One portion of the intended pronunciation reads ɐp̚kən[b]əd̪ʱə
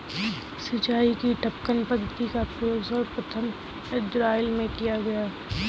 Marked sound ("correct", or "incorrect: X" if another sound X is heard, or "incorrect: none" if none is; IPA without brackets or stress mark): incorrect: p